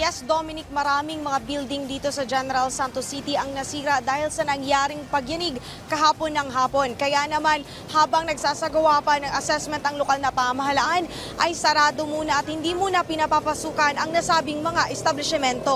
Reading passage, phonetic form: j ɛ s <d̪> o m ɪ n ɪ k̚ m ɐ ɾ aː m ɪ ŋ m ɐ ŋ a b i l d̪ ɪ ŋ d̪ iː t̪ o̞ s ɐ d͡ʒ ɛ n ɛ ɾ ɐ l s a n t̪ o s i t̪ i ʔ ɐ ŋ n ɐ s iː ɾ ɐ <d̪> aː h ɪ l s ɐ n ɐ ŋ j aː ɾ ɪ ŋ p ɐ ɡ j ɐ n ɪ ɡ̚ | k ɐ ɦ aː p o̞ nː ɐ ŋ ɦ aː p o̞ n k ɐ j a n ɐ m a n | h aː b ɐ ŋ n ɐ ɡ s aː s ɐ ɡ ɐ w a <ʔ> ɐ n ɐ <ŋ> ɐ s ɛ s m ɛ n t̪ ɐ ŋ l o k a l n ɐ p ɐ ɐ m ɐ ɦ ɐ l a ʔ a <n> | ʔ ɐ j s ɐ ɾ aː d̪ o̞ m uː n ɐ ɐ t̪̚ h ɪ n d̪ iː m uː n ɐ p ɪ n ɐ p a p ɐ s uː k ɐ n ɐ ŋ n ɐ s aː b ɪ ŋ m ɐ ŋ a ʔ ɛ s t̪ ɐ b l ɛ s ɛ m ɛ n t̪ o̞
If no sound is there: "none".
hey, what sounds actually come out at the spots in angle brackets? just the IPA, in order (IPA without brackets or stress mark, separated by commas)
d̪, d̪, p, ŋ, n